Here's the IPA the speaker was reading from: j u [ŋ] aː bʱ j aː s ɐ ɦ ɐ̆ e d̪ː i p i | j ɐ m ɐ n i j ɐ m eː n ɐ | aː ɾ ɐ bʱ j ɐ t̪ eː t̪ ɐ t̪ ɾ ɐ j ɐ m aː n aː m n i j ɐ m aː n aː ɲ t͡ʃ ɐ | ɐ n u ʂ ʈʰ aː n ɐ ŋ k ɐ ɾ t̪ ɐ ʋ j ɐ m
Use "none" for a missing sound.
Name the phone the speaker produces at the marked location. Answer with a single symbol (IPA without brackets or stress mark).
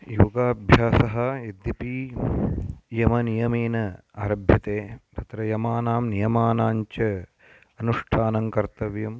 ɡ